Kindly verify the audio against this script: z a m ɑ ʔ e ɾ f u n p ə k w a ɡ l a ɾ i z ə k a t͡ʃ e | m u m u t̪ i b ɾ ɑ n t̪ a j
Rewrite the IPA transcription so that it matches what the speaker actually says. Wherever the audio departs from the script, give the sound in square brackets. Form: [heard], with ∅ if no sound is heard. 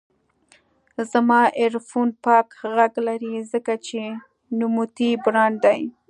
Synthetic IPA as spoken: z a m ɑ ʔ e ɾ f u n p [ɑ] k [ɣ] a ɡ l a ɾ i z ə k a t͡ʃ e | [n] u m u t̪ i b ɾ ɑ n [d̪] a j